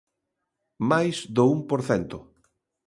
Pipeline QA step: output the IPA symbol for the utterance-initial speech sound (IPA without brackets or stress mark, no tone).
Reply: m